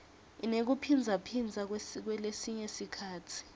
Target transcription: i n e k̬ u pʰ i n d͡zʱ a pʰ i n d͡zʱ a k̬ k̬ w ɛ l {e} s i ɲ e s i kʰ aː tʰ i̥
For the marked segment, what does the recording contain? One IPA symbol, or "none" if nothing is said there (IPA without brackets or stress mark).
e